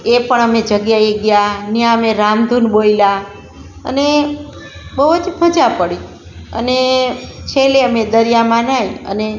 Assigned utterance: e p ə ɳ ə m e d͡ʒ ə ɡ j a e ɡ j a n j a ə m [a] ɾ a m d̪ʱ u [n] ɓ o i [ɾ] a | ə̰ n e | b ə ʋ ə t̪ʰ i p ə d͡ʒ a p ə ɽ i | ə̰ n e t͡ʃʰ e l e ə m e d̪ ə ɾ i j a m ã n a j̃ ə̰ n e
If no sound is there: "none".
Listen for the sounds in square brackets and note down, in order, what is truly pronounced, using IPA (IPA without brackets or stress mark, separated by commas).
e, n, l